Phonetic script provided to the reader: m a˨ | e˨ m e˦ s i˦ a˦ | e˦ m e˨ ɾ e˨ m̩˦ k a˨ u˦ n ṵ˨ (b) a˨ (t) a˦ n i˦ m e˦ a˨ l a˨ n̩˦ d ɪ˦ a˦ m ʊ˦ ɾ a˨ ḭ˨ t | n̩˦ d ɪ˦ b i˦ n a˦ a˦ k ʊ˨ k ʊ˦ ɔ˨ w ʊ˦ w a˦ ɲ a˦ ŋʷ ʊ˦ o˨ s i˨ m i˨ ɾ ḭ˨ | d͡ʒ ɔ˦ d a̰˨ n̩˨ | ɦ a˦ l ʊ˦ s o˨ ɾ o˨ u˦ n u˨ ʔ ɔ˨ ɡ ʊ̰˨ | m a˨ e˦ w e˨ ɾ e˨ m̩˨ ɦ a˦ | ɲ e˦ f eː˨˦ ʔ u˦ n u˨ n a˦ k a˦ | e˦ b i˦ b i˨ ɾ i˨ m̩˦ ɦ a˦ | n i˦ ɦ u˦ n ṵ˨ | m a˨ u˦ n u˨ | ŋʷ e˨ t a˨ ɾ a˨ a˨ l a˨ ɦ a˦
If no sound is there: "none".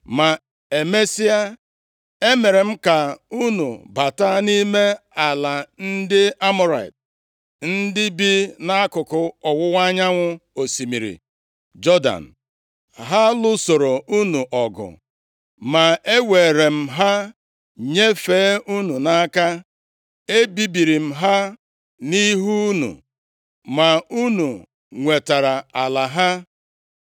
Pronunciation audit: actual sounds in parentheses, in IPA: b, t

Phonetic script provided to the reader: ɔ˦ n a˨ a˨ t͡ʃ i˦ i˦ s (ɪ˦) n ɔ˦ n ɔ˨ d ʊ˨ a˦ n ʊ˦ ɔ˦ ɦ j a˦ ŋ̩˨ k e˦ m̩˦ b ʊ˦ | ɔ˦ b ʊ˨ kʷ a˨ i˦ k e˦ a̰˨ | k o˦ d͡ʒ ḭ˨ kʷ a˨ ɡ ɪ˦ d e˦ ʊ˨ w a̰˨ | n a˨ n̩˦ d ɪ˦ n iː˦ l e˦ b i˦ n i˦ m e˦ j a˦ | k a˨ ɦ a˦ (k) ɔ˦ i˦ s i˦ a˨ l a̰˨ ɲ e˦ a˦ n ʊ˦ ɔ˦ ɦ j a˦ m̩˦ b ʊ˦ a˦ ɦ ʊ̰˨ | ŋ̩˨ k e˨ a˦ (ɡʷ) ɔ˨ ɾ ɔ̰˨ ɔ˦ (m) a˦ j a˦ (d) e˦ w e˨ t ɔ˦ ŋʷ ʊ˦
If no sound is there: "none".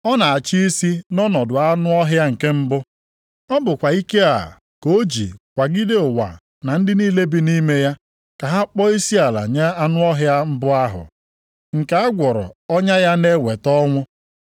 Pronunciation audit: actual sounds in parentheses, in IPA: i˦, k͡p, ɡʷ, ɲ, n

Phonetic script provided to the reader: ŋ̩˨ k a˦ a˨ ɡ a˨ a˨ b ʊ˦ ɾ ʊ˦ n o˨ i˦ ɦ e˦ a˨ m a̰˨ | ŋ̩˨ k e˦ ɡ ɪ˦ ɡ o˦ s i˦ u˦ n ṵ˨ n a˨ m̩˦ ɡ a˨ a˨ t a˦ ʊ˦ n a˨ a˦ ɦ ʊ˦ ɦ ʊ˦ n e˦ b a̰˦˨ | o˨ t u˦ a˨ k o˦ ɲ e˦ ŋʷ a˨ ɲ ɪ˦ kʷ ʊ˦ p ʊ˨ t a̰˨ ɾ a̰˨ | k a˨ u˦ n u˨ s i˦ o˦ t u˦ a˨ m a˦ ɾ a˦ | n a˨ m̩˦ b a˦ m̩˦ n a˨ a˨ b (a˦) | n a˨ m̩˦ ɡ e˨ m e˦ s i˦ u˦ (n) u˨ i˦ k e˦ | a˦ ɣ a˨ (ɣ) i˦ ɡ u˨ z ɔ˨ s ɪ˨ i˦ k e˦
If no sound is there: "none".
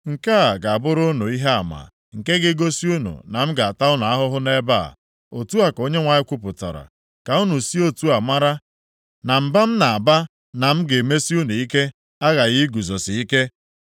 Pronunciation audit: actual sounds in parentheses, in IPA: a˦, n, ɣ

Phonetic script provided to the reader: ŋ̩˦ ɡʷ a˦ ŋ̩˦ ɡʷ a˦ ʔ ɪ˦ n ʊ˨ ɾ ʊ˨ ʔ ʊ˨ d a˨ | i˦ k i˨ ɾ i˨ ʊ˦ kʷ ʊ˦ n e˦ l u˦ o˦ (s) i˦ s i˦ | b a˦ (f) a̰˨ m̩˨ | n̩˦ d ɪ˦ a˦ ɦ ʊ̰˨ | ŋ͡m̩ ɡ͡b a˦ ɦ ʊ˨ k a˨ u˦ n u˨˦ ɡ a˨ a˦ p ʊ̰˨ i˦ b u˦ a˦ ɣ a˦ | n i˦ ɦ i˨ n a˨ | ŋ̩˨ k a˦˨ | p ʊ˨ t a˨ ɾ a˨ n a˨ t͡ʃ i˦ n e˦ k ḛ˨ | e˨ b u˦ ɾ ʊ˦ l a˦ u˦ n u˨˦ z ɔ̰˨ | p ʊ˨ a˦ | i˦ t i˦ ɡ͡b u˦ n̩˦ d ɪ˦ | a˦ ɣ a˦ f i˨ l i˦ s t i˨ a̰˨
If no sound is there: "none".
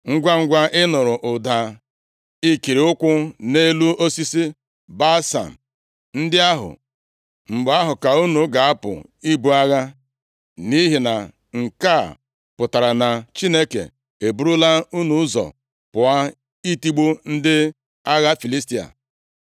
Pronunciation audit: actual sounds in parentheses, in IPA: s, s

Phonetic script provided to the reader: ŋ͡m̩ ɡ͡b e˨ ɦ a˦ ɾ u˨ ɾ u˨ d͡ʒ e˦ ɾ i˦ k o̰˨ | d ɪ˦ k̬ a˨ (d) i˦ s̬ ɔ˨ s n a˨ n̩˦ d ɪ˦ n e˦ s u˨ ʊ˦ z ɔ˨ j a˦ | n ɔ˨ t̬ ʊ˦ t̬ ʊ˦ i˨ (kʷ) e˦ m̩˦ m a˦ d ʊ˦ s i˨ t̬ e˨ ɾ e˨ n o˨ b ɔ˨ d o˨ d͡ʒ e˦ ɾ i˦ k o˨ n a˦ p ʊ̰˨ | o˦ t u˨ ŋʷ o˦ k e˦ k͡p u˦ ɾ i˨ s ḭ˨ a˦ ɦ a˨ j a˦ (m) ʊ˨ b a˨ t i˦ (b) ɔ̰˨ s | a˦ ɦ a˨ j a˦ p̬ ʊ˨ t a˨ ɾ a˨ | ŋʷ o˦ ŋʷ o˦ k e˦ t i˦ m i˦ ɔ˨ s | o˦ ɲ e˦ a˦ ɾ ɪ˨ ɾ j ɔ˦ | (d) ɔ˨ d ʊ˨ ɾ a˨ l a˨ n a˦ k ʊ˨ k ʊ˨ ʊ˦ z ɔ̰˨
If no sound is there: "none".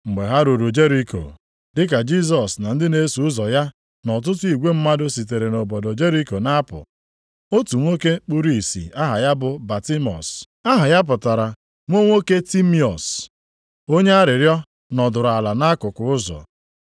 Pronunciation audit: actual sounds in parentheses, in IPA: d͡ʒ, ɡʷ, b, m, n

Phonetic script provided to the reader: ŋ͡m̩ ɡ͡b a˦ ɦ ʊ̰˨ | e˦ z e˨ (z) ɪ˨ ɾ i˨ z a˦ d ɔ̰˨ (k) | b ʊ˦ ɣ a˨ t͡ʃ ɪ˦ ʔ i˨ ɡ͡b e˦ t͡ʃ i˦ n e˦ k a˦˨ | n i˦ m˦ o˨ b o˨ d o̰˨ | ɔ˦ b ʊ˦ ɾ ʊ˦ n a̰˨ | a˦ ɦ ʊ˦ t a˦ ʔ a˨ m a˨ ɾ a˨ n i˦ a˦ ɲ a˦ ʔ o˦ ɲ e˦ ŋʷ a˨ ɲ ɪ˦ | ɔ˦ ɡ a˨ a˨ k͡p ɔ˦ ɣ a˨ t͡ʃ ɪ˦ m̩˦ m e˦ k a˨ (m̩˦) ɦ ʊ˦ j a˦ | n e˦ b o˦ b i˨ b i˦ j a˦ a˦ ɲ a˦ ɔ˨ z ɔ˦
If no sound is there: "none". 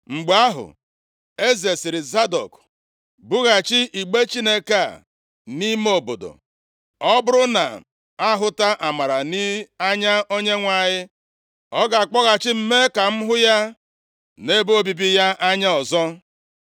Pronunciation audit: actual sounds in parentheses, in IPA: s, k, m̩˦

